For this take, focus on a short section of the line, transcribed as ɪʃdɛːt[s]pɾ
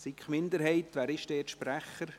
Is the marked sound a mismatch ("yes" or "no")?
yes